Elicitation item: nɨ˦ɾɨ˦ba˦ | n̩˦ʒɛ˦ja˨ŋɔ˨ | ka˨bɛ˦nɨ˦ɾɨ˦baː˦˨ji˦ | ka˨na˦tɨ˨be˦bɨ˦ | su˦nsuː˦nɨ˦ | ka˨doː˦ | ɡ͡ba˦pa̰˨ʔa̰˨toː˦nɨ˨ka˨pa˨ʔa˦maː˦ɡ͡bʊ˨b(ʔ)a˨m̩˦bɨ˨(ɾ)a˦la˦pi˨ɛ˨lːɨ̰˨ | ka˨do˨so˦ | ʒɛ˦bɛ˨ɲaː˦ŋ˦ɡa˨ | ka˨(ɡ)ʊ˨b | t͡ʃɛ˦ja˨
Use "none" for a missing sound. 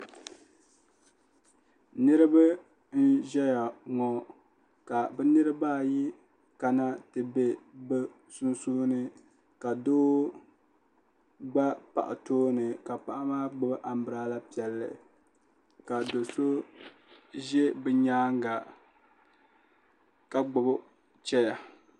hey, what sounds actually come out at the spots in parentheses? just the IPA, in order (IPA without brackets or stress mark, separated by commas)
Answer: ʔ, ɾ, ɡ͡b